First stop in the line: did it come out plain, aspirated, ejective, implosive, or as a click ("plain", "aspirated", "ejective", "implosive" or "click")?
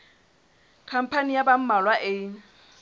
aspirated